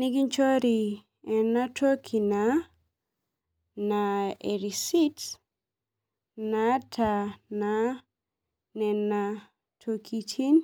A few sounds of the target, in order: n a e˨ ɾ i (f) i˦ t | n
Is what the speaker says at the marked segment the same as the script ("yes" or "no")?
no